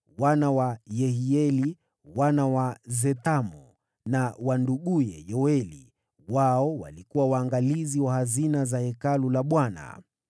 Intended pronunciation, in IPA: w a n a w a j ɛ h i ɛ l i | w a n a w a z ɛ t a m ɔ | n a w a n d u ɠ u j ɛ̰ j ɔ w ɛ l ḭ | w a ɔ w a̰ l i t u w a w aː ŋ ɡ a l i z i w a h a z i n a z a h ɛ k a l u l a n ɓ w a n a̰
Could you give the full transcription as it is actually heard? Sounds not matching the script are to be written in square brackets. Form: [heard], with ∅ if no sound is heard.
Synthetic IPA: w a n a w a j ɛ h i ɛ l i | w a n a w a z ɛ t a m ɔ | n a w a n d u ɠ u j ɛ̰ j ɔ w ɛ l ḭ | w a ɔ w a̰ l i [k] u w a w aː ŋ ɡ a l i z i w a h a z i n a z a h ɛ k a l u l a [∅] ɓ w a n a̰